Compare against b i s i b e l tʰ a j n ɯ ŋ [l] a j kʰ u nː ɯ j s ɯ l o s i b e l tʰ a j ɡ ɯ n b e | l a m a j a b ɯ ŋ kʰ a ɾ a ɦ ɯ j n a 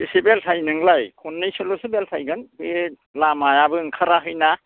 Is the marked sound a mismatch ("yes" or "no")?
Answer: no